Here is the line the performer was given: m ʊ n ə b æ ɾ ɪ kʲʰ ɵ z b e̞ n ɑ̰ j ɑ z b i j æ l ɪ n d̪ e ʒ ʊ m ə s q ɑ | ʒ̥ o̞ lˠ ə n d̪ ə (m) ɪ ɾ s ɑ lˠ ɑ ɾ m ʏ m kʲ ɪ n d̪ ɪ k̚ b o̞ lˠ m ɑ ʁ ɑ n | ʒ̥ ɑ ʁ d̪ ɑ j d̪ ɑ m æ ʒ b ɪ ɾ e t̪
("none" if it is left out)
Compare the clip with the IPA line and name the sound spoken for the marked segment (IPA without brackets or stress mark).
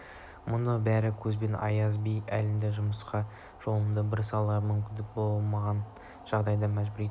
b